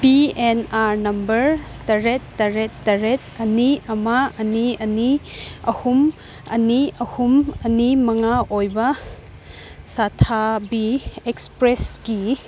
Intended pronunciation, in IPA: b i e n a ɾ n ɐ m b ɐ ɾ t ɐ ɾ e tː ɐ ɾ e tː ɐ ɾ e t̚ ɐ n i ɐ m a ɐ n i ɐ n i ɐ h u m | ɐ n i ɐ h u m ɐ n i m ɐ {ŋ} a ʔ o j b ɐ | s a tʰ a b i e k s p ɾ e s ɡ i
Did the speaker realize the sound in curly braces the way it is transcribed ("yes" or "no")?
yes